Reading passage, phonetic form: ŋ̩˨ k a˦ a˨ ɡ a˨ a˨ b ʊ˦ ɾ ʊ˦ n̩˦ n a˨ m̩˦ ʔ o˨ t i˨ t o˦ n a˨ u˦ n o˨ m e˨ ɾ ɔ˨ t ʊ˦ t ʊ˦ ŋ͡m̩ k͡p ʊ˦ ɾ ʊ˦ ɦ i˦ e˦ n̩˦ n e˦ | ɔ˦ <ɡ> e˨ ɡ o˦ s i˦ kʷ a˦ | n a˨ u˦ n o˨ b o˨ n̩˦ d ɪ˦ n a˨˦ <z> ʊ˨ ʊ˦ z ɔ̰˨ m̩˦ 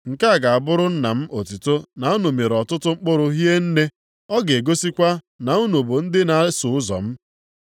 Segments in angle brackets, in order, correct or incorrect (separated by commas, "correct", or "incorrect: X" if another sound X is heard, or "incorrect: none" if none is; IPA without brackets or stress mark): correct, incorrect: s